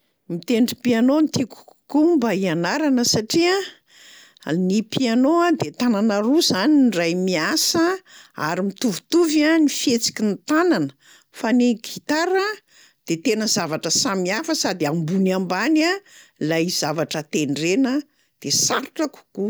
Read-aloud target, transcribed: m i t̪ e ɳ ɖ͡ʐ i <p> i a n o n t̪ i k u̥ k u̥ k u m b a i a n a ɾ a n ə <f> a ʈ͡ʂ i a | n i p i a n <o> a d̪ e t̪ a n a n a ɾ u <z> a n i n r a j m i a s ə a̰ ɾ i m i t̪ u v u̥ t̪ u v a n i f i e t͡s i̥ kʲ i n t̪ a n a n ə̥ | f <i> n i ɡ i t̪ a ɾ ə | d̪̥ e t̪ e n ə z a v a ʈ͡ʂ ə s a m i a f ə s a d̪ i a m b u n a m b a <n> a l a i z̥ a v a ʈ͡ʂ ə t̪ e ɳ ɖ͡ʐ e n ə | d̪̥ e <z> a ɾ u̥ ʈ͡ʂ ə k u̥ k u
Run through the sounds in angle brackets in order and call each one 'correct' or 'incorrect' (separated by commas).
correct, incorrect, correct, correct, incorrect, correct, incorrect